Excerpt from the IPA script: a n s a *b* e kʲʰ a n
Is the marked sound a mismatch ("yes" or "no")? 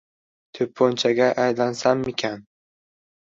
yes